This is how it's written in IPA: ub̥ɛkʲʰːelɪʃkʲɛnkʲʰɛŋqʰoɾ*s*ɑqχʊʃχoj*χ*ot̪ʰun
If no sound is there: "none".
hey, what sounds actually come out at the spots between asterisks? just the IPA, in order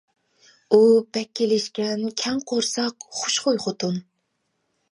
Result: s, χ

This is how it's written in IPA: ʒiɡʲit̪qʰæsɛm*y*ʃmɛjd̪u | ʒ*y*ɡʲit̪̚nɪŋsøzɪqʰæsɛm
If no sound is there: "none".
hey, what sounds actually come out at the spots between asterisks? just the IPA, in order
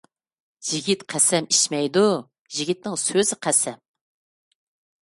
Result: i, i

